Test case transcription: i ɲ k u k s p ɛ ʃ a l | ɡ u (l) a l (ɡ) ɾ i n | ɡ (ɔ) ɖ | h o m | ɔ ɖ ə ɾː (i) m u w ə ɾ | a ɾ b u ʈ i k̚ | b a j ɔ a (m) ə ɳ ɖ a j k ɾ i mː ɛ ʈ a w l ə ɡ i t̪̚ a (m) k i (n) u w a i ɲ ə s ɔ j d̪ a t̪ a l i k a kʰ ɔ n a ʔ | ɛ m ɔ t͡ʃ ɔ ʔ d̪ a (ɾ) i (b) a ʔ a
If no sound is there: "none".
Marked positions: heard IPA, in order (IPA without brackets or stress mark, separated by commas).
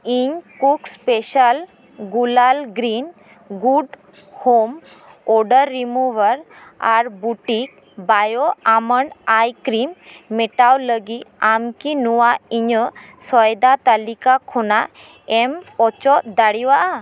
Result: l, ɡ, u, i, m, m, n, ɽ, w